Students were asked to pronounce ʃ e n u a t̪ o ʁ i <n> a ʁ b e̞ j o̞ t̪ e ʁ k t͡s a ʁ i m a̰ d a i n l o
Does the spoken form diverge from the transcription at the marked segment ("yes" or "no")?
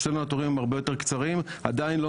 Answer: yes